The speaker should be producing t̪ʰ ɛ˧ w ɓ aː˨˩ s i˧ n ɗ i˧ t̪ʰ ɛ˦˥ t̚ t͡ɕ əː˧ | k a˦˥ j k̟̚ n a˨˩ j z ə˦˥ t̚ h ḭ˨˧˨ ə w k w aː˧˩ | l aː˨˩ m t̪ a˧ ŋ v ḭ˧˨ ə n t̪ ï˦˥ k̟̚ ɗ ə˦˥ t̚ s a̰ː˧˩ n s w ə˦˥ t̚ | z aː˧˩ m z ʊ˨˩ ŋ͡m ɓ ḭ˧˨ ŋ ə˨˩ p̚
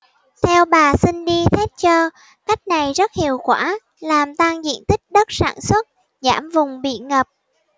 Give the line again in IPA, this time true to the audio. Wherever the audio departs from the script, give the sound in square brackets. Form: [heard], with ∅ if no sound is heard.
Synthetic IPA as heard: t̪ʰ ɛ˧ w ɓ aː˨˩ s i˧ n ɗ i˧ t̪ʰ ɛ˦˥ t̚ t͡ɕ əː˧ | k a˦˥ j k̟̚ n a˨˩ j z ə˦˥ t̚ h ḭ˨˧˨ ə w k w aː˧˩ | l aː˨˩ m t̪ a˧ ŋ [z] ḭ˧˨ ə n t̪ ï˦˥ k̟̚ ɗ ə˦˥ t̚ s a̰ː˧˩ n s w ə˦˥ t̚ | z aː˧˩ m [v] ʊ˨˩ ŋ͡m ɓ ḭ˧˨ ŋ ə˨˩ p̚